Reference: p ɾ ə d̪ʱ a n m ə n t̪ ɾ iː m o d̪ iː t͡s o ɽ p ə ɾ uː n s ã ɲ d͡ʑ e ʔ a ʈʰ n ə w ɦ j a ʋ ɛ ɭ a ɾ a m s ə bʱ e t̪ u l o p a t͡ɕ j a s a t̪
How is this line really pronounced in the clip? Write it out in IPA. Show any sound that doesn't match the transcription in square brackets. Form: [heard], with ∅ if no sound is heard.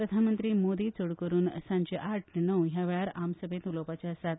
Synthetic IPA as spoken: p ɾ ə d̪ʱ a n m ə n t̪ ɾ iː m o d̪ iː t͡s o ɽ [k] ə ɾ uː n s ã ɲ d͡ʑ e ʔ a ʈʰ n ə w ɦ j a ʋ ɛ ɭ a ɾ a m s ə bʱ e t̪ u l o p a t͡ɕ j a s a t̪